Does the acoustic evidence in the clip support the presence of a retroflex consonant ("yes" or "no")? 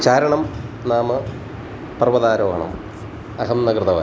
yes